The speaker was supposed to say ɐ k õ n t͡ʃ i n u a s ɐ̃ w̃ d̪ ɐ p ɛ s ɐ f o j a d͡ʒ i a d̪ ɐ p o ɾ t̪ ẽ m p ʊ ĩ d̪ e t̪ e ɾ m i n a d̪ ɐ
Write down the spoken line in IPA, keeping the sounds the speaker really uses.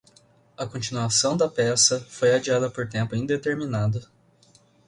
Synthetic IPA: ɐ k õ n t͡ʃ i n u a s ɐ̃ w̃ d̪ ɐ p ɛ s ɐ f o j a d͡ʒ i a d̪ ɐ p o ɾ t̪ ẽ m p ʊ ĩ d̪ e t̪ e ɾ m i n a d̪ ɐ